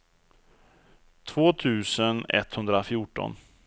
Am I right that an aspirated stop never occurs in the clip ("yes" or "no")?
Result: no